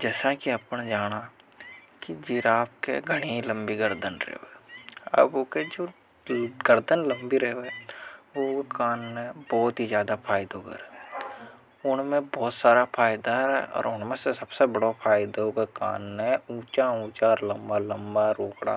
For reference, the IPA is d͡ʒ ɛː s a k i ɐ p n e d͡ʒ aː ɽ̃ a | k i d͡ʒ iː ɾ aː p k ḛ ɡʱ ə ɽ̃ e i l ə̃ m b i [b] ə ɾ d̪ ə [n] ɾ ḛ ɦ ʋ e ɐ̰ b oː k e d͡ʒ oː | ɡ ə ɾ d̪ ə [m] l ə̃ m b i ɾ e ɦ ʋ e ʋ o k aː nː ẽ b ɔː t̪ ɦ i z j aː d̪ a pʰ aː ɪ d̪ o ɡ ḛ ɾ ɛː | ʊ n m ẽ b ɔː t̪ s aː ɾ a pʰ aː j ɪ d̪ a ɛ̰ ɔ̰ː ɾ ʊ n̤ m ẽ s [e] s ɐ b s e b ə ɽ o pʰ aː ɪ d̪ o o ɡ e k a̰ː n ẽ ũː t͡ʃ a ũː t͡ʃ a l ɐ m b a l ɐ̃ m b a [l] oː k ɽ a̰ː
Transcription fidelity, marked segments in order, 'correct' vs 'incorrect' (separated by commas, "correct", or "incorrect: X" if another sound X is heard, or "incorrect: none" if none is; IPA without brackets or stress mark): incorrect: ɡ, correct, incorrect: n, correct, incorrect: ɾ